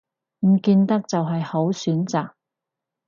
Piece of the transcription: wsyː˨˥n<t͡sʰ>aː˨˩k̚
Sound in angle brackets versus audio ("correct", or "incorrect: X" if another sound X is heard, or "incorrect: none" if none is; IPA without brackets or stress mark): incorrect: t͡s